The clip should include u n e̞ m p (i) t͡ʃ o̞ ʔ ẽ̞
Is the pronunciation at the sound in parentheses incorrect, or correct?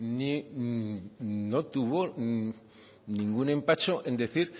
incorrect